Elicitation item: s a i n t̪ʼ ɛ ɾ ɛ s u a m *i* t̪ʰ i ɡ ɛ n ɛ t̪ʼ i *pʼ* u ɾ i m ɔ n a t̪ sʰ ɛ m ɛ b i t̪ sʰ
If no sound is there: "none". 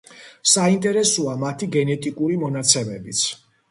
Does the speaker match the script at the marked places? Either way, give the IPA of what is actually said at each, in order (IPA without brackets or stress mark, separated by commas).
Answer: a, kʼ